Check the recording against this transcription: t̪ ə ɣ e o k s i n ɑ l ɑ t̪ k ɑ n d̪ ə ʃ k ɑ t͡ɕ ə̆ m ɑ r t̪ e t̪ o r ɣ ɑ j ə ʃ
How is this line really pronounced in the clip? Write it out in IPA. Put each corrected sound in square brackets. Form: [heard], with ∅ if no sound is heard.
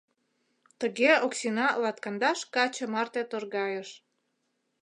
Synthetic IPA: t̪ ə ɣ e o k s i n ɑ l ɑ t̪ k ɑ n d̪ [ɑ] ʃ k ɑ t͡ɕ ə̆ m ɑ r t̪ e t̪ o r ɣ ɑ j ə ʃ